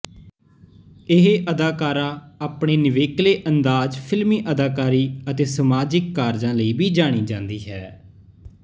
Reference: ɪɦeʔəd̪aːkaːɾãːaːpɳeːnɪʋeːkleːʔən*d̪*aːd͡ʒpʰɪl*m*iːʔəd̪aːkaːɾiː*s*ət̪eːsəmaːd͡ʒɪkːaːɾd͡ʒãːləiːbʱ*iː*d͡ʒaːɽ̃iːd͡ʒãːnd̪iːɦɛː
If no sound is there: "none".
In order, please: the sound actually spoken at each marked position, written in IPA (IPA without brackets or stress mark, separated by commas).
d̪, m, none, iː